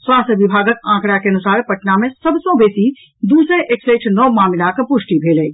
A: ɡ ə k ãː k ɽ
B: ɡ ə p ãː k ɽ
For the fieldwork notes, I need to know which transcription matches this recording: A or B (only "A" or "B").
A